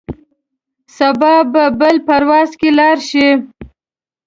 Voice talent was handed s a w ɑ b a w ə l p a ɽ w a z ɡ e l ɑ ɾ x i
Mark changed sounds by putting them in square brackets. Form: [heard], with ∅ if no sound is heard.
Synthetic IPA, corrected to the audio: s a [b] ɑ b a [b] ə l p a [ɾ] w [ɑ] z [k] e l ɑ ɾ [ʃ] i